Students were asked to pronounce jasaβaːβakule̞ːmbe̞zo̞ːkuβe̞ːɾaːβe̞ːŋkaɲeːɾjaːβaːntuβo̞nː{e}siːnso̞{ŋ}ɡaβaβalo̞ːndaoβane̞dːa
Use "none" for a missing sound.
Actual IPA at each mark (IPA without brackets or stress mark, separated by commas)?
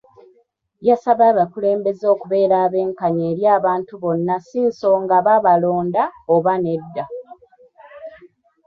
a, ŋ